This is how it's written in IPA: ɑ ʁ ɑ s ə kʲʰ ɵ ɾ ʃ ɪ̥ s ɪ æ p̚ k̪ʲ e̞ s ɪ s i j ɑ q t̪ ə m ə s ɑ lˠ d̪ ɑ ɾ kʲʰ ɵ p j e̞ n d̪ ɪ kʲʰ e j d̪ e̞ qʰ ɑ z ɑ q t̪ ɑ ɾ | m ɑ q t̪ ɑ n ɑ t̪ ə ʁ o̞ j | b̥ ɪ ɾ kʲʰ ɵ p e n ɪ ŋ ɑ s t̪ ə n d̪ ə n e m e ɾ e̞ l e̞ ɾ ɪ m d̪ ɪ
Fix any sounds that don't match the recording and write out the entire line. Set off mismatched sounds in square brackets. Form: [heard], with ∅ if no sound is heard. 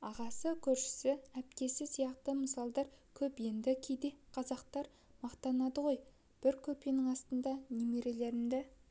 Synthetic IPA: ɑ ʁ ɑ s ə kʲʰ ɵ ɾ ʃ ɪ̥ s ɪ æ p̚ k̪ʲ e̞ s ɪ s i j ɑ q t̪ ə m ə s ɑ lˠ d̪ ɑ ɾ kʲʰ ɵ p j e̞ n d̪ ɪ kʲʰ e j d̪ e̞ qʰ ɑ z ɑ q t̪ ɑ ɾ | m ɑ q t̪ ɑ n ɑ [d̪] ə ʁ o̞ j | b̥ ɪ ɾ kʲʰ ɵ p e n ɪ ŋ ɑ s t̪ ə n d̪ [ɑ] n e m e ɾ e̞ l e̞ ɾ ɪ m d̪ ɪ